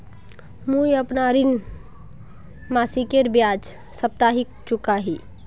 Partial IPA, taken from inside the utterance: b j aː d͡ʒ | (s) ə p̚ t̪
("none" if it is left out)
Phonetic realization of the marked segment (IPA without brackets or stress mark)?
s